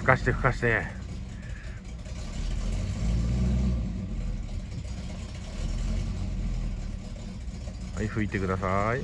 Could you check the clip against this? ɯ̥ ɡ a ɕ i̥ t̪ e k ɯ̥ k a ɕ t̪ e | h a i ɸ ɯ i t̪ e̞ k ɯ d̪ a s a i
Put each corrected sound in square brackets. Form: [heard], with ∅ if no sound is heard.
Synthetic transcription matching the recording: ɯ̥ [k] a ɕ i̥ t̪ e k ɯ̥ k a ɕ t̪ e | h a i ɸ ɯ i t̪ e̞ k ɯ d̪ a s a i